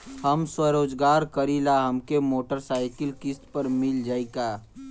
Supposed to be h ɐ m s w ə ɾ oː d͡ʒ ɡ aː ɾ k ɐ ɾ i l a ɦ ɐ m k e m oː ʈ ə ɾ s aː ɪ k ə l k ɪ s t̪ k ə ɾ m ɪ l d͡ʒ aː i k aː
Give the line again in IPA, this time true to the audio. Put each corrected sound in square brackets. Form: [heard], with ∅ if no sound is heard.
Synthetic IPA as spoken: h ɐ m s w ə ɾ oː d͡ʒ ɡ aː ɾ k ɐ ɾ i l a ɦ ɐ m k e m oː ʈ ə ɾ s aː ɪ k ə l k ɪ s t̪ [p] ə ɾ m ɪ l d͡ʒ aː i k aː